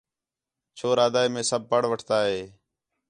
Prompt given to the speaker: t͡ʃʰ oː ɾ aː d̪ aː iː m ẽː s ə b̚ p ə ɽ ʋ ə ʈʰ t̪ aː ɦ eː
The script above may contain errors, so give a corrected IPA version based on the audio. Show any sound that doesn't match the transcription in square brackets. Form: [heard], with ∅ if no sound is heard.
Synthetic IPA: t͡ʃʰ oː ɾ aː d̪ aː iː m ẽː s ə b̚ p ə ɽ ʋ ə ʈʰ t̪ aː ɦ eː